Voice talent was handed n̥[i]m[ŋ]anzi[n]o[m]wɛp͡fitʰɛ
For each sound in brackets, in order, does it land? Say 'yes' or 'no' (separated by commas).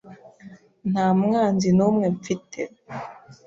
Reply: no, yes, yes, yes